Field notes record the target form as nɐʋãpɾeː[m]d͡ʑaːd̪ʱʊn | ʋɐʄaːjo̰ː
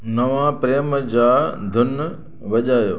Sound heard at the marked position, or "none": m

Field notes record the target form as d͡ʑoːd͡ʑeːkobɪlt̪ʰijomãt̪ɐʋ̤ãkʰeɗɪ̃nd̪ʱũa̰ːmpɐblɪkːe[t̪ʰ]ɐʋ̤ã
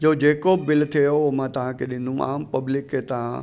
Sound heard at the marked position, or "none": t̪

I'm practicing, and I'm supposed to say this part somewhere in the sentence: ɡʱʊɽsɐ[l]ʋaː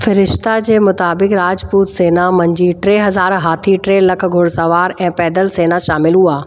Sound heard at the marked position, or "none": none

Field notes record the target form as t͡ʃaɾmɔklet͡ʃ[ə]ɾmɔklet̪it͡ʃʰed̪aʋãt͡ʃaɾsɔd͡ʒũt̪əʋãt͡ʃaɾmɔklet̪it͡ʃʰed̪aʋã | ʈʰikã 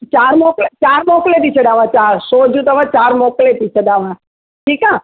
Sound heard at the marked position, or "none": a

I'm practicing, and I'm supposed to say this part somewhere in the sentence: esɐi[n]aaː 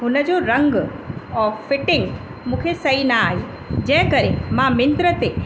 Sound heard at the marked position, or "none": n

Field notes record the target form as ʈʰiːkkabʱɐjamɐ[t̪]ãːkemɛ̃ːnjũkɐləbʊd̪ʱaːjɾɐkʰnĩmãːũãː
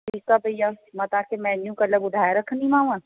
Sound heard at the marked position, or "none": t̪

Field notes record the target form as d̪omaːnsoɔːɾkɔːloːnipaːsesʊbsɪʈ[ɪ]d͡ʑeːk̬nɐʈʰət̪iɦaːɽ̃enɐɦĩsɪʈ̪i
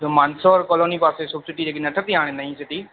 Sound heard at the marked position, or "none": i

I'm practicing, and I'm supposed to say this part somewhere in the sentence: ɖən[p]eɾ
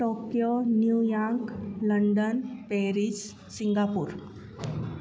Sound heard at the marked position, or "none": p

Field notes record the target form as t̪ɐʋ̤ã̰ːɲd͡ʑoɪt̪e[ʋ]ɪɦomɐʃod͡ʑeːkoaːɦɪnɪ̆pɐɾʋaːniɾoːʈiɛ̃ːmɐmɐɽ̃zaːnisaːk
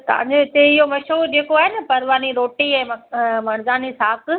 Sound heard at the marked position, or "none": none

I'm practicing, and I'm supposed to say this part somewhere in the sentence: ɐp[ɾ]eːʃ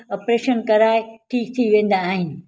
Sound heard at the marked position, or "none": ɾ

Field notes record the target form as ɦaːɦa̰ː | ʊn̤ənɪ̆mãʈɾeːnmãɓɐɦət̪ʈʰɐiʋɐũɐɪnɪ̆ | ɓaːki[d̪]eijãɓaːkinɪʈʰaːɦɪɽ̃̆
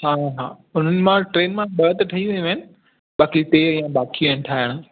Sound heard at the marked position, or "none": t̪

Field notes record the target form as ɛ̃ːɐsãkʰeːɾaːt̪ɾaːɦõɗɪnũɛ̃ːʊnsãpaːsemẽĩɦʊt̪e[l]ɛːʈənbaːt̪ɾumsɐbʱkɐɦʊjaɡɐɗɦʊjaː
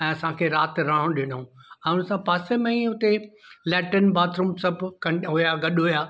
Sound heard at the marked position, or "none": l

